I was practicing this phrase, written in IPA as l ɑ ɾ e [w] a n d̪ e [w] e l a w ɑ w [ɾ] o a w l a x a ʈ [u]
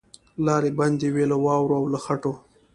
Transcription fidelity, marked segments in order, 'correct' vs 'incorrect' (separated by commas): incorrect, correct, correct, incorrect